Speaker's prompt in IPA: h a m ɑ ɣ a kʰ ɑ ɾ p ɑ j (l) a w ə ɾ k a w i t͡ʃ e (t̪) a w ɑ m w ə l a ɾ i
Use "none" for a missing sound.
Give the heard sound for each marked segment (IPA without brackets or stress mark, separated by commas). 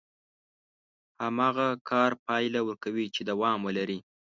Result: l, d̪